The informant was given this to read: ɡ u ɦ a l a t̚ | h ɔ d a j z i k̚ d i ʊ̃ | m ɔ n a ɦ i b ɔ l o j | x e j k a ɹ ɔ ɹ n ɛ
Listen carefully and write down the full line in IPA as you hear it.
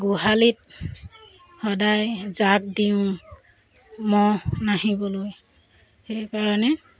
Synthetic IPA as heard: ɡ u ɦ a l i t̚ | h ɔ d a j z a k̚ d i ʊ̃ | m ɔ n a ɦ i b ɔ l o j | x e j k a ɹ ɔ n ɛ